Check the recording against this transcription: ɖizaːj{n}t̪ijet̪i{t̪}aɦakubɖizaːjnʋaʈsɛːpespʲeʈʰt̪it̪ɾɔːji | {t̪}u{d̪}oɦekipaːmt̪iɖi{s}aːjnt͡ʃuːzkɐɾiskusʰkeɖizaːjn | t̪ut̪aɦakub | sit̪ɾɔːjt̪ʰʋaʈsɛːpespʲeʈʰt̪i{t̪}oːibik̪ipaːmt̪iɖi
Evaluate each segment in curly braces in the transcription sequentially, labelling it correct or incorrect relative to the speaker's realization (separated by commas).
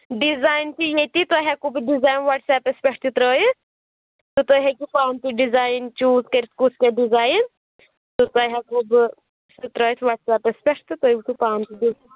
correct, correct, correct, incorrect, incorrect, correct